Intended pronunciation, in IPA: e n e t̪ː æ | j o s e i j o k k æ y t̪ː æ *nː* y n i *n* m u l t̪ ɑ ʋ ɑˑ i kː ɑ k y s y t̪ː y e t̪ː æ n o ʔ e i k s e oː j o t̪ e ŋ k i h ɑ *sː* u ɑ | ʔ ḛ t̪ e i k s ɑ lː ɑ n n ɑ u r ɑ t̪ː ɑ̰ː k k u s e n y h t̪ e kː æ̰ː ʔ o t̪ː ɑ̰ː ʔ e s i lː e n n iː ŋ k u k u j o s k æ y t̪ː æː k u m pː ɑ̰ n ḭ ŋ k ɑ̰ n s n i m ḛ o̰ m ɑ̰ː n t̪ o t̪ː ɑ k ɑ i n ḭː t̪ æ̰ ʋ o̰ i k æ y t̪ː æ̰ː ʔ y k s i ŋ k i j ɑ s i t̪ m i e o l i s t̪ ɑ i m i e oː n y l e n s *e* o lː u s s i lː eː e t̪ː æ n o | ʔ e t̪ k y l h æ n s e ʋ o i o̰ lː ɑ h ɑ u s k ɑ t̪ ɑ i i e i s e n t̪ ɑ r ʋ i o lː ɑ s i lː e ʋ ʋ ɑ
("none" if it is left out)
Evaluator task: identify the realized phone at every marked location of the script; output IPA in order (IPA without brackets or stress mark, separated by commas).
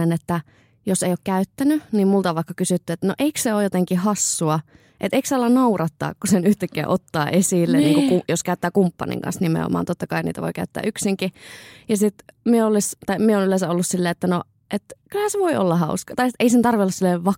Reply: n, m, sː, æ